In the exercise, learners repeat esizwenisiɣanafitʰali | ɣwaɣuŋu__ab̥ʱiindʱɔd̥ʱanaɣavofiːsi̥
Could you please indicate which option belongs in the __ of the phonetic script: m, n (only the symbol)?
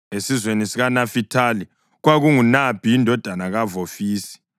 n